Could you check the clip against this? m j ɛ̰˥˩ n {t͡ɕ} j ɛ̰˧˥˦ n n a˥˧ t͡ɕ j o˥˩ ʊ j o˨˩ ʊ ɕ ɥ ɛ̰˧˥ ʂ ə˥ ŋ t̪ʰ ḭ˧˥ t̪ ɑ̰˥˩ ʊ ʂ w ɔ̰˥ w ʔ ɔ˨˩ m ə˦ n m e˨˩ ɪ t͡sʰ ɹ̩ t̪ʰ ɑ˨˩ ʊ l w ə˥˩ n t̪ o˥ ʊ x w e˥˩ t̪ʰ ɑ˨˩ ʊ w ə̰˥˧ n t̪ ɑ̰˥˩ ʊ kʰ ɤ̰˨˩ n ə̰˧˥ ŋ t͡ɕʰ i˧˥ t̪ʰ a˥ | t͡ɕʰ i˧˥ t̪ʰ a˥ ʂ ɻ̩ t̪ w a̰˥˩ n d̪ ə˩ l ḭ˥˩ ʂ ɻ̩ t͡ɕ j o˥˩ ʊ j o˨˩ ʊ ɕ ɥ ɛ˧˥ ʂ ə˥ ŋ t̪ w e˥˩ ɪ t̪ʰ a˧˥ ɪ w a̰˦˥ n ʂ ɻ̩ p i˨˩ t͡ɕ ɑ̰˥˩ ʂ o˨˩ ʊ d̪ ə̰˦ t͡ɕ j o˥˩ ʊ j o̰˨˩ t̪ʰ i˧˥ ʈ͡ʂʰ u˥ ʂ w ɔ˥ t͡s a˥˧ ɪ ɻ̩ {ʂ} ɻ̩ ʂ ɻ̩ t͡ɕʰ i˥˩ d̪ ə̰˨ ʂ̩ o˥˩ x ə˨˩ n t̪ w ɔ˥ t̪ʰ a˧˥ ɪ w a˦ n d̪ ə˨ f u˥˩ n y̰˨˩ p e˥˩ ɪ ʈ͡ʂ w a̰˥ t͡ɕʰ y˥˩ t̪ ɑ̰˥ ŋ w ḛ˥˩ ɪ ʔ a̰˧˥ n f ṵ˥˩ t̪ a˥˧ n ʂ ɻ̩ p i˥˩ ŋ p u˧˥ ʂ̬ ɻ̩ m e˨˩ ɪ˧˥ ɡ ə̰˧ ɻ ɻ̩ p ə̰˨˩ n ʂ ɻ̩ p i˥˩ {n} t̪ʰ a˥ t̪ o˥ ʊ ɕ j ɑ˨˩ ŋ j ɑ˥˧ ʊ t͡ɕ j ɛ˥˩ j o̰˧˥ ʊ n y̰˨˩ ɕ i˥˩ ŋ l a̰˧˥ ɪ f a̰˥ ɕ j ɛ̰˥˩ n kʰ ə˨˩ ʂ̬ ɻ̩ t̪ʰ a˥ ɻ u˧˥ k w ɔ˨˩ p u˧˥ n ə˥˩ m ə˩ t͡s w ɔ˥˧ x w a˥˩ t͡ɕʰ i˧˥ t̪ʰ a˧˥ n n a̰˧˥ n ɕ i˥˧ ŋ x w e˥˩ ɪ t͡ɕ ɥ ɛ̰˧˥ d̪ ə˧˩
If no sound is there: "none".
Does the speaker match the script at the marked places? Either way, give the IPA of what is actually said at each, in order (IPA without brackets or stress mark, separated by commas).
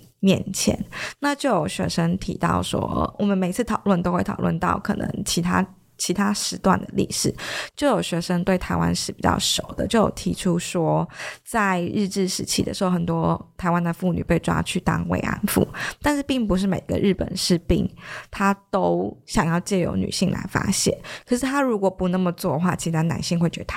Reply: t͡ɕʰ, ʈ͡ʂ, ŋ